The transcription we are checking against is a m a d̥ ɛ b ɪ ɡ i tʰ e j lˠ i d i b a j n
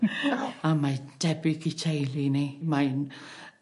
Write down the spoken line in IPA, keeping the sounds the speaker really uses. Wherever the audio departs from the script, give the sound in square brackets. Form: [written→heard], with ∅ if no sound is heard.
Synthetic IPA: a m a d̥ ɛ b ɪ ɡ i tʰ e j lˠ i [d→n] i [b→m] a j n